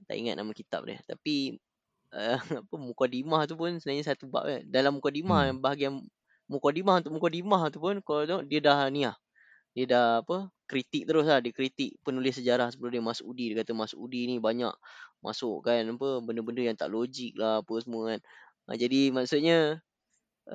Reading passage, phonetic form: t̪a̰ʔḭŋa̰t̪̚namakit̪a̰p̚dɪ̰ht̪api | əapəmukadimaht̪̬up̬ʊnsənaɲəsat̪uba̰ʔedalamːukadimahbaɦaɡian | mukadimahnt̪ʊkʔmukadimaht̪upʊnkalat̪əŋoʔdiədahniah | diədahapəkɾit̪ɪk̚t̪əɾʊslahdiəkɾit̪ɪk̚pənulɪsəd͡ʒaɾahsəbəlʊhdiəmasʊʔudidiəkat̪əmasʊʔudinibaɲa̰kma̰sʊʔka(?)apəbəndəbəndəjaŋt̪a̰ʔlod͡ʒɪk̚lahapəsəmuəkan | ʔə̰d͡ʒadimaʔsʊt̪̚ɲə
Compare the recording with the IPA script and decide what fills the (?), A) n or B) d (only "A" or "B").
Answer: A